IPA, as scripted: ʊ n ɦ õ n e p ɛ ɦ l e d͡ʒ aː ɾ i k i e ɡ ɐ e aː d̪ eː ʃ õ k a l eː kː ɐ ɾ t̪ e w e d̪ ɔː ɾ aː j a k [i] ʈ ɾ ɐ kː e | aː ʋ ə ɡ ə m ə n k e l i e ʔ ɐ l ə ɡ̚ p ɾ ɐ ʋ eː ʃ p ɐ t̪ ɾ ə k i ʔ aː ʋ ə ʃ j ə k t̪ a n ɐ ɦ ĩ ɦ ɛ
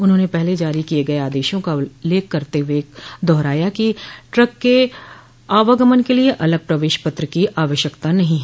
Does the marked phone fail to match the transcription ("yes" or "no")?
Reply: no